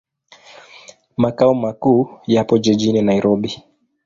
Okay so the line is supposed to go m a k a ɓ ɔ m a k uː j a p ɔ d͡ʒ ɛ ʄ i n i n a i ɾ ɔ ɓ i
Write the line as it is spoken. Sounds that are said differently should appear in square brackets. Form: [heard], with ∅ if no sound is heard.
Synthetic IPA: m a k a [∅] ɔ m a k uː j a p ɔ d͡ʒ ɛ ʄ i n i n a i ɾ ɔ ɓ i